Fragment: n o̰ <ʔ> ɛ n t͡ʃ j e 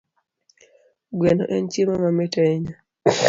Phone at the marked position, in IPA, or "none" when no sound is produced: ʔ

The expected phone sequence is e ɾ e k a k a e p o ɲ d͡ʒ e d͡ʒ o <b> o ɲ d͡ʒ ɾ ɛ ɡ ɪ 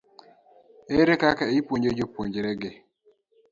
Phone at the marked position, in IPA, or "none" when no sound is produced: p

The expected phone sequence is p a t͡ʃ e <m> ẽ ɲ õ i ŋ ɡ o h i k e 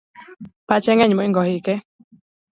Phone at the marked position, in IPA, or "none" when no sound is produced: ŋ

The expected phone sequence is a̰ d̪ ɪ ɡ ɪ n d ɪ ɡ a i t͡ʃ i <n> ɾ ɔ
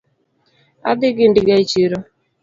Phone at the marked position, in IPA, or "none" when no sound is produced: none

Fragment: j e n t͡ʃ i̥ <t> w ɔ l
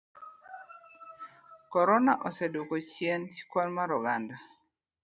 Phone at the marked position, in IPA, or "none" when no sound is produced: k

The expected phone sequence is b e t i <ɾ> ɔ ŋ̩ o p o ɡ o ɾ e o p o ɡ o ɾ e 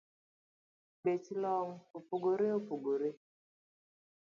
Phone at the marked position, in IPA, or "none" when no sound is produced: l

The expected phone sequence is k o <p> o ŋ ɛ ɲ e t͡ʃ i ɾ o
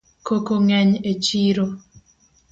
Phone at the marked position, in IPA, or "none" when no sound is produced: k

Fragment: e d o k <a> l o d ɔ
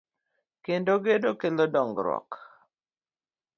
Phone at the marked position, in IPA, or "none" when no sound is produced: e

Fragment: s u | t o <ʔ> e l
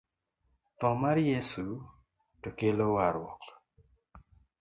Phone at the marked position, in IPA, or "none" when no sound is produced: k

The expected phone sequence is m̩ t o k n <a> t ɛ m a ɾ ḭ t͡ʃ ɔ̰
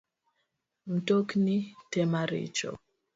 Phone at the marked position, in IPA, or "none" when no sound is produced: i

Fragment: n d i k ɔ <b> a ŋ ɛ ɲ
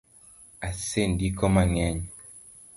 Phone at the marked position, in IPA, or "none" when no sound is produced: m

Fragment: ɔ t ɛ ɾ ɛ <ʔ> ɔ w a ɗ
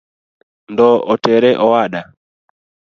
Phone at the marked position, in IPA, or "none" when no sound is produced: ʔ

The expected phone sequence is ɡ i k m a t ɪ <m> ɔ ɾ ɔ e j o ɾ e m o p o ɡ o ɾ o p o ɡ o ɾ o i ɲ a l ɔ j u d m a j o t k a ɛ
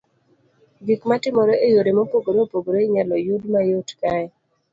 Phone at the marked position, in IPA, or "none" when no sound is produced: m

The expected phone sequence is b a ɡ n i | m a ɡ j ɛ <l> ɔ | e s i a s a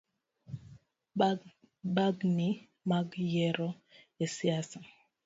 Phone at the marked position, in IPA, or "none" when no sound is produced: ɾ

